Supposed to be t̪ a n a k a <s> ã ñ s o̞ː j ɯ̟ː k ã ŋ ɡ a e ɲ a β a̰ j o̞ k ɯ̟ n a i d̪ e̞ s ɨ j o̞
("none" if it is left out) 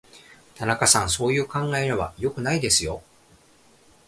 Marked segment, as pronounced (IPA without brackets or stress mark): s